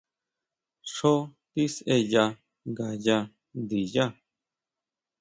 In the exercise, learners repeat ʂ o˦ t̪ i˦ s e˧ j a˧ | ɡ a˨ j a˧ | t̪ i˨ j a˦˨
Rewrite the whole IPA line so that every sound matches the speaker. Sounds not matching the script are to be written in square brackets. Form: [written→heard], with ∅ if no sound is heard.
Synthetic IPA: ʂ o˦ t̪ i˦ s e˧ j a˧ | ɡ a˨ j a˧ | [t̪→d̪] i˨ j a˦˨